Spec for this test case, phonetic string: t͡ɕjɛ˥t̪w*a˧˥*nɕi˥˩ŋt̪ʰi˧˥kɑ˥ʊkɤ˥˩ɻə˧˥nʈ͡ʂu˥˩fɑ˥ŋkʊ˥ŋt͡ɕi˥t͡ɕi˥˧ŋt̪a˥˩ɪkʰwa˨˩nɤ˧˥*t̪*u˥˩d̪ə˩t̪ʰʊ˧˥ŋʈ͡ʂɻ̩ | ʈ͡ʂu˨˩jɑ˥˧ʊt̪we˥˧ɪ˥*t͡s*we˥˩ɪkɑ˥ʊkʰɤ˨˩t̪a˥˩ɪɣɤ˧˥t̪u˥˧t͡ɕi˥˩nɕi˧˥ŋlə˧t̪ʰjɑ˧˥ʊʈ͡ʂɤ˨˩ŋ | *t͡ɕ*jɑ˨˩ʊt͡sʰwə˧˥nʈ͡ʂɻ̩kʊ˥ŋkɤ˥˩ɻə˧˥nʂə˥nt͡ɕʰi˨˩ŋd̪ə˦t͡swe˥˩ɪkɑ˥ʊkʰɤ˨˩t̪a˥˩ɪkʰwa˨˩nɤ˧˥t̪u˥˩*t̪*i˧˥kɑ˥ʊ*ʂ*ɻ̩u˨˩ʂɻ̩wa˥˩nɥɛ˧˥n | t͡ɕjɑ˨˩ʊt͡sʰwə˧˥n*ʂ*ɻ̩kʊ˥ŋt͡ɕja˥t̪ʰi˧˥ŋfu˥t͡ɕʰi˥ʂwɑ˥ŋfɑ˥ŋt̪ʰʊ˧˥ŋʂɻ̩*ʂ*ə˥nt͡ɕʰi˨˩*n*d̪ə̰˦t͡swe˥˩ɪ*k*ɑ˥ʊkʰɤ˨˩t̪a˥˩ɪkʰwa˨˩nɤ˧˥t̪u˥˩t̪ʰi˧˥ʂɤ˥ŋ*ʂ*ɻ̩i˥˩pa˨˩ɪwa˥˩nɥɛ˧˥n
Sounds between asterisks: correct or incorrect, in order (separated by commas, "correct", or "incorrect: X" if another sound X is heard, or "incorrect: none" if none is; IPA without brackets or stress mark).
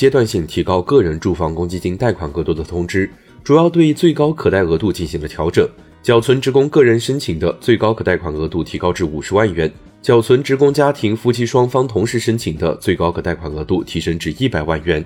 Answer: incorrect: a˥˧, correct, correct, correct, incorrect: t̪ʰ, incorrect: ʈ͡ʂ, incorrect: ʈ͡ʂ, correct, incorrect: ŋ, correct, incorrect: ʈ͡ʂ